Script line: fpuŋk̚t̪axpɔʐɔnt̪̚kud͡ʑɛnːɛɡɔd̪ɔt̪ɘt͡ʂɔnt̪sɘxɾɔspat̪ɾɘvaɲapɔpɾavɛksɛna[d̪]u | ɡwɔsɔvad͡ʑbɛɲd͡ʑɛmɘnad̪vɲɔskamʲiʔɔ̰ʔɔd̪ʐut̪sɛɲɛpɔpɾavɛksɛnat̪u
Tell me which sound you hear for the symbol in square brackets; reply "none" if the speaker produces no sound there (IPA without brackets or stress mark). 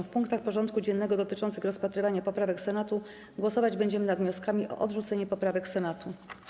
t̪